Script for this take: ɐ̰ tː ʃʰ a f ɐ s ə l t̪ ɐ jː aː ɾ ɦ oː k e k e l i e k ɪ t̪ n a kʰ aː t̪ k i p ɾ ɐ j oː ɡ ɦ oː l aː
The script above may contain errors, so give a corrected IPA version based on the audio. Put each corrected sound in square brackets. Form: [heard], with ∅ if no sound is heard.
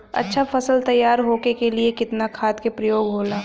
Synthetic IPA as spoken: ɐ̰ tː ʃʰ a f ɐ s ə l t̪ ɐ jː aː ɾ ɦ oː k e k e l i e k ɪ t̪ n a kʰ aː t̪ k [e] p ɾ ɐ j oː ɡ ɦ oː l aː